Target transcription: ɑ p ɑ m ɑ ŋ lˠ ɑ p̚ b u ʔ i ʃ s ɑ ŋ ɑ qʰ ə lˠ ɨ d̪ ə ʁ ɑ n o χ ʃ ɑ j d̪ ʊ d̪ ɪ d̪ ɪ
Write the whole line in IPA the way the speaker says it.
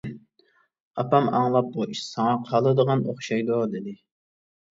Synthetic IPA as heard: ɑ p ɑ m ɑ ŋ lˠ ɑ p̚ b u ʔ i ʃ s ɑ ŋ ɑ qʰ ɑ lˠ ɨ d̪ ə ʁ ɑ n o χ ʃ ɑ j d̪ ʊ d̪ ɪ d̪ ɪ

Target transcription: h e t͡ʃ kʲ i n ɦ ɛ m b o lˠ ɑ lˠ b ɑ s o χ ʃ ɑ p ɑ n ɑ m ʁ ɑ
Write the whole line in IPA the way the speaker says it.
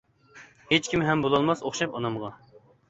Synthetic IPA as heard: h e t͡ʃ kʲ i m ɦ ɛ m b o lˠ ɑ lˠ m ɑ s o χ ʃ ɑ p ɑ n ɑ m ʁ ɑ

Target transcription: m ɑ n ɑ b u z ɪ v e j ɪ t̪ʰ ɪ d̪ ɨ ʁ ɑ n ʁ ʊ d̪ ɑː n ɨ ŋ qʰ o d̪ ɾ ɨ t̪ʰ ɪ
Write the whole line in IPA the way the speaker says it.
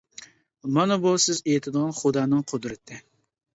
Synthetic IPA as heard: m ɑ n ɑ b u s ɪ z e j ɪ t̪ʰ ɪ d̪ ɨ ʁ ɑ n χ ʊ d̪ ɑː n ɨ ŋ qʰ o d̪ ɾ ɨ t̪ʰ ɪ

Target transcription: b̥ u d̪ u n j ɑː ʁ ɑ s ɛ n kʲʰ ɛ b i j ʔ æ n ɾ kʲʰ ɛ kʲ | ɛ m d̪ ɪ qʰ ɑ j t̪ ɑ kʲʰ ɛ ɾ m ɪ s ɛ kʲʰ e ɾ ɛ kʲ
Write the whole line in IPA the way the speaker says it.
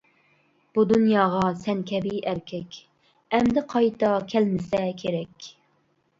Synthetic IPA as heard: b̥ u d̪ u n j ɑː ʁ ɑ s ɛ n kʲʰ ɛ b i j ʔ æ ɾ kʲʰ ɛ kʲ | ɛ m d̪ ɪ qʰ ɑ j t̪ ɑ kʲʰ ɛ l m ɪ s ɛ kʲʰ e ɾ ɛ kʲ

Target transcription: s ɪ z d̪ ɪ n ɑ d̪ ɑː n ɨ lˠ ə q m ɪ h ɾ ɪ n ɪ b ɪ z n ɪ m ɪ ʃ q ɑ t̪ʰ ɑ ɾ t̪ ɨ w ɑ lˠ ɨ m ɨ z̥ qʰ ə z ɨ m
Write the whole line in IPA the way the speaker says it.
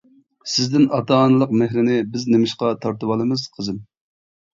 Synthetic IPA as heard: s ɪ z d̪ ɪ n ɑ t̪ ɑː n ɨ lˠ ə q m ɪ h ɾ ɪ n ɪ b ɪ z n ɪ m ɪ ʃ q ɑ t̪ʰ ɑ ɾ t̪ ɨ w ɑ lˠ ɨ m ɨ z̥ qʰ ə z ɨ m

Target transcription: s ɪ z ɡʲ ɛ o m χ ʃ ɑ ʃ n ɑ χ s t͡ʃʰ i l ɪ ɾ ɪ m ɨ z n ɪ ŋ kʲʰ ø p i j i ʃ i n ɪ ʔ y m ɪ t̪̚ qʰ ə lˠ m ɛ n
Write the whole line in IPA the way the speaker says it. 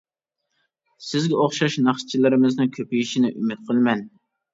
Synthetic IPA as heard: s ɪ z ɡʲ ɛ o χ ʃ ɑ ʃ n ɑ χ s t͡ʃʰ i l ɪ ɾ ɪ m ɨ z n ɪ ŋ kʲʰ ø p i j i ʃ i n ɪ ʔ y m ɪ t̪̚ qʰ ə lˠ m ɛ n

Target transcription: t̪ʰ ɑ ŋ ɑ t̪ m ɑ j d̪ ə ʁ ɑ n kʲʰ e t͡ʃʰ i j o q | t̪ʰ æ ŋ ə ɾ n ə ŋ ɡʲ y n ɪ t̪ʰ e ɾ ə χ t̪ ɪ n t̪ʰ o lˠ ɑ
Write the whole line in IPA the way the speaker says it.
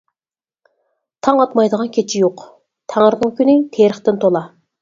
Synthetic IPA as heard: t̪ʰ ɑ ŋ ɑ t̪ m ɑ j d̪ ə ʁ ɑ n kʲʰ e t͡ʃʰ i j o q | t̪ʰ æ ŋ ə ɾ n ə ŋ kʲ y n ɪ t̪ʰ e ɾ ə χ t̪ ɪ n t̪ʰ o lˠ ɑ

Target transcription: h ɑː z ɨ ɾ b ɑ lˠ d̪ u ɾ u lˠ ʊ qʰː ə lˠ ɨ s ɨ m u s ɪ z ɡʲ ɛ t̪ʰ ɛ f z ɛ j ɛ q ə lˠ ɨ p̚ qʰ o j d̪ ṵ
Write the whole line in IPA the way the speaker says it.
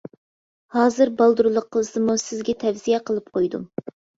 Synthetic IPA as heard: h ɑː z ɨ ɾ b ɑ lˠ d̪ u ɾ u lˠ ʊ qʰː ə lˠ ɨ s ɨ m u s ɪ z ɡʲ ɛ t̪ʰ ɛ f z i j ɛ q ə lˠ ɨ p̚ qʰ o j d̪ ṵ

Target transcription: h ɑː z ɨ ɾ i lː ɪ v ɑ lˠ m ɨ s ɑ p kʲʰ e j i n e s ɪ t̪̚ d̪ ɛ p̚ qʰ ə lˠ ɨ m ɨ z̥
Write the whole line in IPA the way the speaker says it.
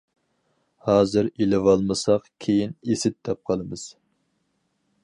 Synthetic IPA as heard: h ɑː z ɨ ɾ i l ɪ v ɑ lˠ m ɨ s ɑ q kʲʰ e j i n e s ɪ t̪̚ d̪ ɛ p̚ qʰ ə lˠ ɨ m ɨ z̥

